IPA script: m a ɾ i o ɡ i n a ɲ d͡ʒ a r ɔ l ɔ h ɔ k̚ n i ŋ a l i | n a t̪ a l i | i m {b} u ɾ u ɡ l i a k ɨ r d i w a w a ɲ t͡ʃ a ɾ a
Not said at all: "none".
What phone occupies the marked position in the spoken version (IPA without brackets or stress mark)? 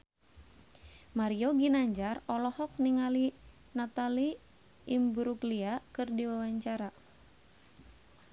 b